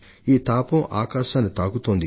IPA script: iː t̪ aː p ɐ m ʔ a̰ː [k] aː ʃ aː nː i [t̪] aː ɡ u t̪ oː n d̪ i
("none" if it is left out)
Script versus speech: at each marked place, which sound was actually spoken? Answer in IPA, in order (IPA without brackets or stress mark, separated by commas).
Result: k, t̪